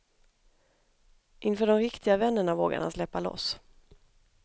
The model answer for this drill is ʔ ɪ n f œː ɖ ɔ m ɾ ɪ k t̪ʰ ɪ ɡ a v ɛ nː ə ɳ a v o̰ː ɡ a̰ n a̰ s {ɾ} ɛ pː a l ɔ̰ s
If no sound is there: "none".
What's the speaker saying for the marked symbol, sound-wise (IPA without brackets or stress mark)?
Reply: l